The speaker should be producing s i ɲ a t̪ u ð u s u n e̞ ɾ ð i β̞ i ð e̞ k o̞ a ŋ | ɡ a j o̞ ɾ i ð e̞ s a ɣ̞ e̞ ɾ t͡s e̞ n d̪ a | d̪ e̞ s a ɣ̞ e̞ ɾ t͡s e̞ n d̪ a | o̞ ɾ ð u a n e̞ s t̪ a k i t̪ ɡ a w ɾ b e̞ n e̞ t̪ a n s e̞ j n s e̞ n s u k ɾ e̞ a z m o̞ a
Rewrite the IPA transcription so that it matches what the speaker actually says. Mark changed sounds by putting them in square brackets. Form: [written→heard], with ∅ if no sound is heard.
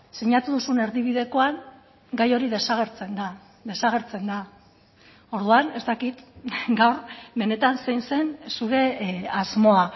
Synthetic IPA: s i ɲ a t̪ u ð u s u n e̞ ɾ ð i β̞ i ð e̞ k o̞ a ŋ | ɡ a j o̞ ɾ i ð e̞ s a ɣ̞ e̞ ɾ t͡s e̞ n d̪ a | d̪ e̞ s a ɣ̞ e̞ ɾ t͡s e̞ n d̪ a | o̞ ɾ ð u a n e̞ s t̪ a k i t̪ ɡ a w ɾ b e̞ n e̞ t̪ a n s e̞ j n s e̞ n s u [k→∅] ɾ e̞ a z m o̞ a

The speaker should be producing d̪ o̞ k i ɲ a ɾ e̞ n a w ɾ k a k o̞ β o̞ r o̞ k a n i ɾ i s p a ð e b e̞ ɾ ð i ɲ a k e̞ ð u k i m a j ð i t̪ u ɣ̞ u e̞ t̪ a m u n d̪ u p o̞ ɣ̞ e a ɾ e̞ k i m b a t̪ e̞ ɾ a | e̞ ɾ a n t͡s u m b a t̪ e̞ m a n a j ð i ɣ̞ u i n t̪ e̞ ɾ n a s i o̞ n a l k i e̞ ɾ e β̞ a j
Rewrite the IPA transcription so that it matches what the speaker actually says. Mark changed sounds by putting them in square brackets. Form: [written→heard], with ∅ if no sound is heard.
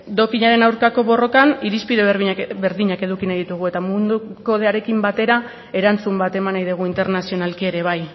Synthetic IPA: d̪ o̞ k i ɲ a ɾ e̞ n a w ɾ k a k o̞ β o̞ r o̞ k a n i ɾ i s p [a→i] ð e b e̞ ɾ ð i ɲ a k e̞ ð u k i [m→n] a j ð i t̪ u ɣ̞ u e̞ t̪ a m u n d̪ u [p→k] o̞ [ɣ̞→ð̞] e a ɾ e̞ k i m b a t̪ e̞ ɾ a | e̞ ɾ a n t͡s u m b a t̪ e̞ m a n a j ð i ɣ̞ u i n t̪ e̞ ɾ n a s i o̞ n a l k i e̞ ɾ e β̞ a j

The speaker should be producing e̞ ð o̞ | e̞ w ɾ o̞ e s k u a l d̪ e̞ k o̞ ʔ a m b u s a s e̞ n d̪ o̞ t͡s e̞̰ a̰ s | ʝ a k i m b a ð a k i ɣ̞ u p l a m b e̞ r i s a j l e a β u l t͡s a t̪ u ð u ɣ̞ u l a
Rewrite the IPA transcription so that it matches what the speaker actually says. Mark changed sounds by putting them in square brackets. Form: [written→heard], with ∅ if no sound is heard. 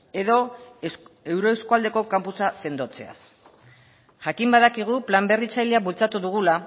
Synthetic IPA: e̞ ð o̞ | e̞ w ɾ o̞ e s k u a l d̪ e̞ k o̞ [ʔ→k] a m [b→p] u s a s e̞ n d̪ o̞ t͡s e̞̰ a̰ s | ʝ a k i m b a ð a k i ɣ̞ u p l a m b e̞ r i [s→t͡s] a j l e a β u l t͡s a t̪ u ð u ɣ̞ u l a

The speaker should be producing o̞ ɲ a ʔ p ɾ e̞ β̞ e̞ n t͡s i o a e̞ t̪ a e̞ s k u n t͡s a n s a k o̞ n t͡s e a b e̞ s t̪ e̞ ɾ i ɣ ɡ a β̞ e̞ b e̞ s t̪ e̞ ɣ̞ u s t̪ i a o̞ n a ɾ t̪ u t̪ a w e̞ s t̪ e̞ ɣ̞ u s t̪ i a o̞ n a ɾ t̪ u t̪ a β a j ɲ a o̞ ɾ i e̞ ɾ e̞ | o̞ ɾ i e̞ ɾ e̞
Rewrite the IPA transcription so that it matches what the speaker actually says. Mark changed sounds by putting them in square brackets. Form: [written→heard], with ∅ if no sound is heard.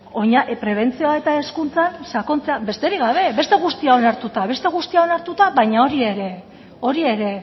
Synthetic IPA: o̞ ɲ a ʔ p ɾ e̞ β̞ e̞ n t͡s i o a e̞ t̪ a e̞ s k u n t͡s a n s a k o̞ n t͡s e a b e̞ s t̪ e̞ ɾ i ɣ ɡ a β̞ e̞ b e̞ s t̪ e̞ ɣ̞ u s t̪ i a o̞ n a ɾ t̪ u t̪ a [w→β] e̞ s t̪ e̞ ɣ̞ u s t̪ i a o̞ n a ɾ t̪ u t̪ a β a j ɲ a o̞ ɾ i e̞ ɾ e̞ | o̞ ɾ i e̞ ɾ e̞

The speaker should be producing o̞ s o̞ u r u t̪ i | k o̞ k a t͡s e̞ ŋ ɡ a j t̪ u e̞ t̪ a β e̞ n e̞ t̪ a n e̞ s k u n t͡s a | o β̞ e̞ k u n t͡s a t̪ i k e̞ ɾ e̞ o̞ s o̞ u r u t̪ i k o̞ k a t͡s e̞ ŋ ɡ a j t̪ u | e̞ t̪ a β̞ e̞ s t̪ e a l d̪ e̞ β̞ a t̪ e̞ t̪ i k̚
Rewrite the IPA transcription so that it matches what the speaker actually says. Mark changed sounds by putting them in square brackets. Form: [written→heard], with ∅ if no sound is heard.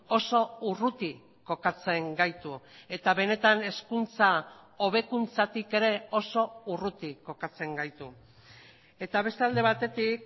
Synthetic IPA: o̞ s o̞ u r u t̪ i | k o̞ k a t͡s e̞ ŋ ɡ a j t̪ u e̞ t̪ a β e̞ n e̞ t̪ a n e̞ s k u n t͡s a | o β̞ e̞ k u n t͡s a t̪ i k e̞ ɾ e̞ o̞ s o̞ u r u t̪ i k o̞ k a t͡s e̞ ŋ ɡ a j t̪ u | e̞ t̪ a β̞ e̞ s t̪ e a l d̪ e̞ β̞ a t̪ e̞ t̪ i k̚

